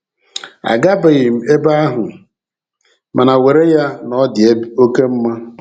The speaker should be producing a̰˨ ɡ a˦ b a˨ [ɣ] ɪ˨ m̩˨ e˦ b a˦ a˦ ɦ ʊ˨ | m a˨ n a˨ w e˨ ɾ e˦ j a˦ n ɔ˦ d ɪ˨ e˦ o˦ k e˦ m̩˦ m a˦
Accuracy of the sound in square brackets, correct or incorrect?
correct